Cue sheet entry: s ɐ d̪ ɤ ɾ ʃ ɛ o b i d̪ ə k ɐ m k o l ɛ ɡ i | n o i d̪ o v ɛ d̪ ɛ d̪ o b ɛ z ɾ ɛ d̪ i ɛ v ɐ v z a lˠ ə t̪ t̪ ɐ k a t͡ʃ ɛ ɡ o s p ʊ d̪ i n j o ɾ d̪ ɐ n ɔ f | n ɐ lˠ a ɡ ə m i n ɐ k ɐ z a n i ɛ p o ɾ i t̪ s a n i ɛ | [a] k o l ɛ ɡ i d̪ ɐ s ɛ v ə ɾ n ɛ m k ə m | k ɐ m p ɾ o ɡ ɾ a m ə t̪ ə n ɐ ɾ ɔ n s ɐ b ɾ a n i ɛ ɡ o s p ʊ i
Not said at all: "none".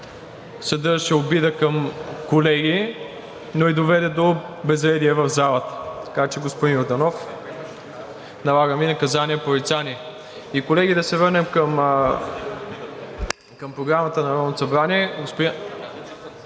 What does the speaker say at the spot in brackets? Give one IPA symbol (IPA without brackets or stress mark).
i